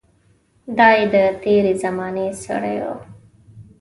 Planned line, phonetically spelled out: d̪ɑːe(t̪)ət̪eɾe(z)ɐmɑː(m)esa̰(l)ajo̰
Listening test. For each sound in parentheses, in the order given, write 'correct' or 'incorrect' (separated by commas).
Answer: incorrect, correct, incorrect, incorrect